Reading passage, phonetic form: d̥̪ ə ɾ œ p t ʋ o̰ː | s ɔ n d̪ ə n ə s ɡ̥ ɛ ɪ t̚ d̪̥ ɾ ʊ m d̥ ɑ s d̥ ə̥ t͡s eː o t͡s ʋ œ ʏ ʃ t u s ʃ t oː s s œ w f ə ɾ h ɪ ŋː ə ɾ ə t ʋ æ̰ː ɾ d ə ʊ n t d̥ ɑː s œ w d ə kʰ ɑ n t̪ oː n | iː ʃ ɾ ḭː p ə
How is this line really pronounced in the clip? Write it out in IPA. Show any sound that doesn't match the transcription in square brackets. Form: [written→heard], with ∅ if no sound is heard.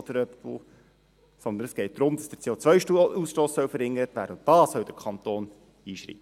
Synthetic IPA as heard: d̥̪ ə ɾ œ p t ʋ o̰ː | s ɔ n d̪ ə n ə s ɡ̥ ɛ ɪ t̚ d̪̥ ɾ ʊ m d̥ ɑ s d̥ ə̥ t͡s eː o t͡s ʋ œ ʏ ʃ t u s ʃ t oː s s œ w f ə ɾ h ɪ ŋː ə ɾ ə t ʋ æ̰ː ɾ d ə ʊ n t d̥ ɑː s œ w d ə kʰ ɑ n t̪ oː n | iː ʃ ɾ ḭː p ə

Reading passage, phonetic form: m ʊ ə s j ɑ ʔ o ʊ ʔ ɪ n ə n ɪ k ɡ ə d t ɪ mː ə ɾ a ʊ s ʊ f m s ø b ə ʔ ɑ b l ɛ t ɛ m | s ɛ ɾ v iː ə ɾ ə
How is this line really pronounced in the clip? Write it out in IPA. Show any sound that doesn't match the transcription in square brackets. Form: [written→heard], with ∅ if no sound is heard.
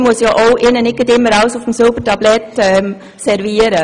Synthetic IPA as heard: m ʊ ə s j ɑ ʔ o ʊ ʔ ɪ n ə n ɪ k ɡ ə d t ɪ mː ə ɾ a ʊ s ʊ f m s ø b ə [ʔ→t] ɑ b l ɛ t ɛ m | s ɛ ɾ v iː ə ɾ ə

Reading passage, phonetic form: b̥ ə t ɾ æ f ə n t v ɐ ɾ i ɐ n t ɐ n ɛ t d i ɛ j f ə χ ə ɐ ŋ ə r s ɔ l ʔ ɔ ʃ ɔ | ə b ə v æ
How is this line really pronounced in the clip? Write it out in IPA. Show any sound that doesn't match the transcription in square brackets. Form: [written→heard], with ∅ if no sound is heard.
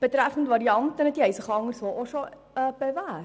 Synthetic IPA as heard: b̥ ə t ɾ æ f ə n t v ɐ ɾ i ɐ n t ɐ n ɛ t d i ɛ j [f→s] ə χ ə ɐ ŋ ə r s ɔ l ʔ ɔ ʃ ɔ | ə b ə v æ

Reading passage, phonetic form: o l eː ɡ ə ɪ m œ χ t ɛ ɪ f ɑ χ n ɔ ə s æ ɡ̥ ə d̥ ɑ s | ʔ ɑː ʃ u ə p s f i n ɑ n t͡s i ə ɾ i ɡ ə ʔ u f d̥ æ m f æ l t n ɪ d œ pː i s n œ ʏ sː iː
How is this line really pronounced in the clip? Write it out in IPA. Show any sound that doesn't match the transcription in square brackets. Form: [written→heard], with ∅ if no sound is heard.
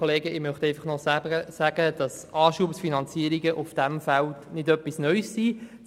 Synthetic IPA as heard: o l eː ɡ ə ɪ m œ χ t ɛ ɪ f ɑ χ n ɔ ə s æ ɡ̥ ə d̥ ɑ s | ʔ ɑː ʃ u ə p s f i n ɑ n t͡s i ə ɾ i ɡ ə ʔ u f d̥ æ m f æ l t n ɪ d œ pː i s n œ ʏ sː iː

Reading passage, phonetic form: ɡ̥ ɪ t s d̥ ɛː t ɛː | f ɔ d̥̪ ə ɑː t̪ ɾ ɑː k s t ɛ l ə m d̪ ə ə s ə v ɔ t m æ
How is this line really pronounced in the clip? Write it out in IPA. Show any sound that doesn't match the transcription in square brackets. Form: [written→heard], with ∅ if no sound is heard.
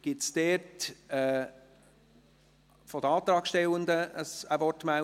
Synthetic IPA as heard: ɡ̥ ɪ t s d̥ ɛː t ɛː | f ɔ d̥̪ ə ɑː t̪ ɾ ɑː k [s→ʃ] t ɛ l ə [m→n] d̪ ə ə s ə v ɔ t m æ

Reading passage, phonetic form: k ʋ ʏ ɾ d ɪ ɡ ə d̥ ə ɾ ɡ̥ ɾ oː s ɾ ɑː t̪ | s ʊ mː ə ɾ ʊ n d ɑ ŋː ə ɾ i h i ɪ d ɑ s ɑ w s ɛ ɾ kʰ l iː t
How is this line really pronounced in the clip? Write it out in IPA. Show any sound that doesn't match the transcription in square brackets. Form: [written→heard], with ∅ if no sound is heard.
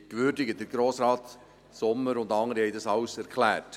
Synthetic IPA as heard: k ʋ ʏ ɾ d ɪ ɡ ə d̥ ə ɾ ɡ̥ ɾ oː s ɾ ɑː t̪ | s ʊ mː ə ɾ ʊ n d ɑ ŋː ə ɾ i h [i→ɛ] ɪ d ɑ s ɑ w s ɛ ɾ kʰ l [iː→æː] t

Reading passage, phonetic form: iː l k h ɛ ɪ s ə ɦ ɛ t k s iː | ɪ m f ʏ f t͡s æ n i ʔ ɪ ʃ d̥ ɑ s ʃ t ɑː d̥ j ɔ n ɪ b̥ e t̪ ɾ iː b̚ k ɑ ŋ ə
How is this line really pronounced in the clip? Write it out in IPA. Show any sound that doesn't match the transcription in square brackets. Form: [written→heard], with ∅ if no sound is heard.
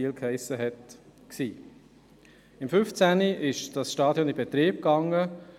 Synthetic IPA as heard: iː l k h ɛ ɪ s ə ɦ ɛ t k s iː | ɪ m f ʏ f t͡s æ n i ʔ ɪ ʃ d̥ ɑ s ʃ t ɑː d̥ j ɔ n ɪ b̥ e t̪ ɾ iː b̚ k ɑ ŋ ə

